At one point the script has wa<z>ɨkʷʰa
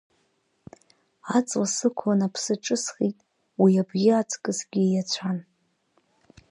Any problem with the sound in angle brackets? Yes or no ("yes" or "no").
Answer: yes